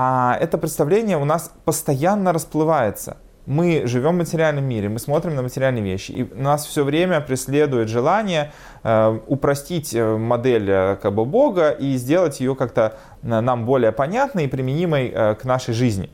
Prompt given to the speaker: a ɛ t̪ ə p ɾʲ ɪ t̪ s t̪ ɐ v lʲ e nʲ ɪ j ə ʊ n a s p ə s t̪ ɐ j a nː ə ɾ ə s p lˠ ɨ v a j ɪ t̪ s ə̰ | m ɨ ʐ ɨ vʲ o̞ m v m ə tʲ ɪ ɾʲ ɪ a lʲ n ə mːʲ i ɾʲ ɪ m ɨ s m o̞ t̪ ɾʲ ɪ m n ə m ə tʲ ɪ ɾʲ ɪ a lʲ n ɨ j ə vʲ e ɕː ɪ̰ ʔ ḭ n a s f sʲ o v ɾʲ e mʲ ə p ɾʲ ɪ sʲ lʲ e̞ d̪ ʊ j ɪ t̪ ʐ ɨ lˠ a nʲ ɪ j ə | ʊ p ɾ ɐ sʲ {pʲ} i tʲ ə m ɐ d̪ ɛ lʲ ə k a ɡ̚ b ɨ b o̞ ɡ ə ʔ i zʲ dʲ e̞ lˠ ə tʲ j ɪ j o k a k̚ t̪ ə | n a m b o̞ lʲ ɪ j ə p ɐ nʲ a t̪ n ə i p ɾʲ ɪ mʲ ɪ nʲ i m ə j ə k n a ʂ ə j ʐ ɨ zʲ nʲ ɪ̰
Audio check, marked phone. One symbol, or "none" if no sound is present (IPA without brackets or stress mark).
tʲ